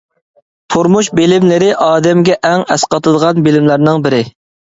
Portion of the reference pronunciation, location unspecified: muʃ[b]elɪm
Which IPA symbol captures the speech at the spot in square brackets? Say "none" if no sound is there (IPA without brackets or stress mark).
b